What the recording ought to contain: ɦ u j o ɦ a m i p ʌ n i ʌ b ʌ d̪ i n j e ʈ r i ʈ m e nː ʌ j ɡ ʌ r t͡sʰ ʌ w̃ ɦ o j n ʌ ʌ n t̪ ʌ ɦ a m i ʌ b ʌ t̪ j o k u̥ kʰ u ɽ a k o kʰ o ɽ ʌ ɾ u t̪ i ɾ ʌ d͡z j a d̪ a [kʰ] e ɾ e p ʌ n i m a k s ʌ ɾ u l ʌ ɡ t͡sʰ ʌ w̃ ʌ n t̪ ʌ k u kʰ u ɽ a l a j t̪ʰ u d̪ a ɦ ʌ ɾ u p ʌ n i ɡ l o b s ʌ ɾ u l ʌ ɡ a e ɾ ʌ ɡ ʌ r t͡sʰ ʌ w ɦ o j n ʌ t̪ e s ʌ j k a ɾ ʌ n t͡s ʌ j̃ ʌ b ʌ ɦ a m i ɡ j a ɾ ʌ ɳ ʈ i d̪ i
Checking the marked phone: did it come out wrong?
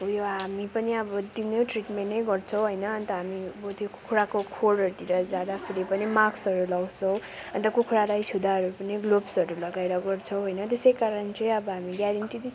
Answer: yes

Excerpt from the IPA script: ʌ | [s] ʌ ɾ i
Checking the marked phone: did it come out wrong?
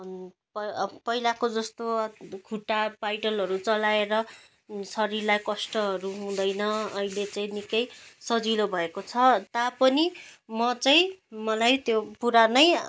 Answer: no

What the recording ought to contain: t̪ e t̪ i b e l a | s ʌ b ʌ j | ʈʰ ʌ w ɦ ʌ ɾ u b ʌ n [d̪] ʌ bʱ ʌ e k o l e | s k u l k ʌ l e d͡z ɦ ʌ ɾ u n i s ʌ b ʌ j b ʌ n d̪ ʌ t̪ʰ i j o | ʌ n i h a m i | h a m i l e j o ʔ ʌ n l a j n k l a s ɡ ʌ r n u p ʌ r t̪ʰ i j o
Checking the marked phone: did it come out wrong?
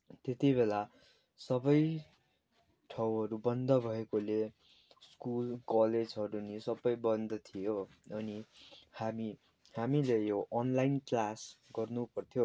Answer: no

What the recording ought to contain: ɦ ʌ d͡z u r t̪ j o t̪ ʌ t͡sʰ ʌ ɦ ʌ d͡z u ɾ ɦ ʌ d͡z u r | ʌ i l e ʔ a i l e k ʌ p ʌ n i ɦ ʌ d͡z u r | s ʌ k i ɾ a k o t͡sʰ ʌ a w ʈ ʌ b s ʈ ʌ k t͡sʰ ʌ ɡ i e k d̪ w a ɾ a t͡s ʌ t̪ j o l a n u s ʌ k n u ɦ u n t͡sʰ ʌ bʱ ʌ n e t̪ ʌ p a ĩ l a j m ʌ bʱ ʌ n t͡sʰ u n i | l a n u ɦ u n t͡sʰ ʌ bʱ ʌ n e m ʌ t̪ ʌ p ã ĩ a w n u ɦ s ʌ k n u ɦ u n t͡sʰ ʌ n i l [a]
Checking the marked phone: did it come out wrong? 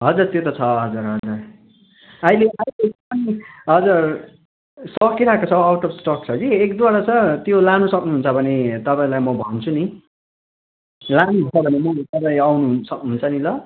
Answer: yes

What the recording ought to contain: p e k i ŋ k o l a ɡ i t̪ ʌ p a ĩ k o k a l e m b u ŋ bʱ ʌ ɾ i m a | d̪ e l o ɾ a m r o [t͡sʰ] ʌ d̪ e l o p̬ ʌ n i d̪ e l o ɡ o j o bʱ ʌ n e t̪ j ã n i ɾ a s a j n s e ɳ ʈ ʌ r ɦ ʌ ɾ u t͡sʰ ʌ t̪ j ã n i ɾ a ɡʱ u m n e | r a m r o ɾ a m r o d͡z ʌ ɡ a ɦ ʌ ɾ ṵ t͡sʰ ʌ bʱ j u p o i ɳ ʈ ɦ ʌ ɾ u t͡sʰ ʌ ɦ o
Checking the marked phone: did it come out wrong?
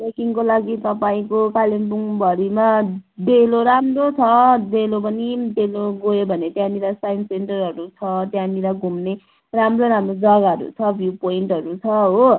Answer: no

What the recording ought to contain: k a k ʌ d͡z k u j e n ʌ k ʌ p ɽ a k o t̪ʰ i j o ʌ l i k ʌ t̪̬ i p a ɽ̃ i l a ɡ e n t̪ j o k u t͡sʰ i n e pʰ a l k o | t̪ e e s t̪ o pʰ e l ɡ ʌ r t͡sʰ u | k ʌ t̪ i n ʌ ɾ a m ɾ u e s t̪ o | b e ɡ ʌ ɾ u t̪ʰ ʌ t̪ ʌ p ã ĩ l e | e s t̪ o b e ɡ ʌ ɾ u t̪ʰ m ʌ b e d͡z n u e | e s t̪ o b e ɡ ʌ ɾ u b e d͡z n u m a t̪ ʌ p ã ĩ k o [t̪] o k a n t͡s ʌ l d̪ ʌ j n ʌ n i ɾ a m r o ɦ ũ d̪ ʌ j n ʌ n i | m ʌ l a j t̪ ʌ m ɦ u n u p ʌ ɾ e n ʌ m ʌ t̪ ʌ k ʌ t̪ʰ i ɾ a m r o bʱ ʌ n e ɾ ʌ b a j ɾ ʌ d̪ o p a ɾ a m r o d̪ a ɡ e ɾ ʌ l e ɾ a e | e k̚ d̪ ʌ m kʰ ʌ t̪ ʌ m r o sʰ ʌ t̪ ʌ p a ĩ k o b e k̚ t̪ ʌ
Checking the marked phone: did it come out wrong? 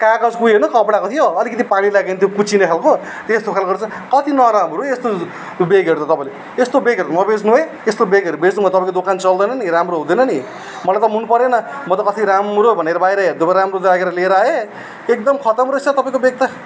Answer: yes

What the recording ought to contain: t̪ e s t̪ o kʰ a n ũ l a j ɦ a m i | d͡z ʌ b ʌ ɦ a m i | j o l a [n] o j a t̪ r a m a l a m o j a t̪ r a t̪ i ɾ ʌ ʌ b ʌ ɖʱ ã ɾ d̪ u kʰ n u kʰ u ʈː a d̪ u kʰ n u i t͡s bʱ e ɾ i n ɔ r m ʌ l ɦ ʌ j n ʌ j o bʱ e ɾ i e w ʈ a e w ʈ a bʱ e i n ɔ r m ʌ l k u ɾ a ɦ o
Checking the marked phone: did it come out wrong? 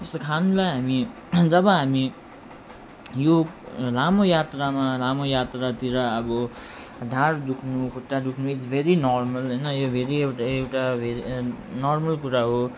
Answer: yes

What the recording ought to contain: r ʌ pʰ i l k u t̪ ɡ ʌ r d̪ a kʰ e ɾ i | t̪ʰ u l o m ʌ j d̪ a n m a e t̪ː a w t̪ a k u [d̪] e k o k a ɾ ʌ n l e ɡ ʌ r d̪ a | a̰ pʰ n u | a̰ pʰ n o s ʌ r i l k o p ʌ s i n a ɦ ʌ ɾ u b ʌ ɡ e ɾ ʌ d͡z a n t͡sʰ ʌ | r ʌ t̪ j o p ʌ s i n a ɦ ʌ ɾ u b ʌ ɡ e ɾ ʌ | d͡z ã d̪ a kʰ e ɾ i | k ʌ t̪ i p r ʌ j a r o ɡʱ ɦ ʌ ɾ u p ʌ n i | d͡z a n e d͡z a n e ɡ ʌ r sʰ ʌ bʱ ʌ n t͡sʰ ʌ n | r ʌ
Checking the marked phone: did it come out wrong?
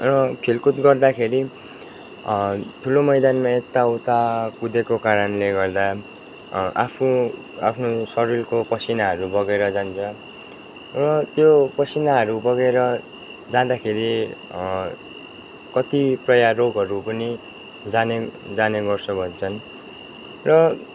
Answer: no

